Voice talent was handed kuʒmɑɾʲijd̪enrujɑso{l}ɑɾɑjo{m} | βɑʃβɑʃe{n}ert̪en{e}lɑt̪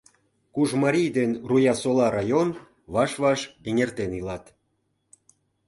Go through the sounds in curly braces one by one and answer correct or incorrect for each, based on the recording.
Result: correct, incorrect: n, incorrect: ŋ, incorrect: i

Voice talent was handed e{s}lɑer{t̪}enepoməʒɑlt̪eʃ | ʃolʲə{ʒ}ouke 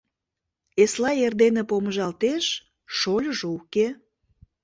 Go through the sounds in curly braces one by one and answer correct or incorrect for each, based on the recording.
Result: correct, incorrect: d̪, correct

